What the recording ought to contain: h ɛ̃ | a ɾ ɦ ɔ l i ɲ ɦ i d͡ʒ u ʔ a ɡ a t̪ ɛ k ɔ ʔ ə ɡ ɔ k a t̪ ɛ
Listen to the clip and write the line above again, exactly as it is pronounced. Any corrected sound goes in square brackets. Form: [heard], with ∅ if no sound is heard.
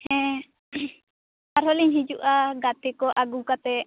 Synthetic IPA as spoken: h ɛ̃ | a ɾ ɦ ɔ l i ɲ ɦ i d͡ʒ u ʔ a ɡ a t̪ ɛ k ɔ ʔ [a] ɡ [u] k a t̪ ɛ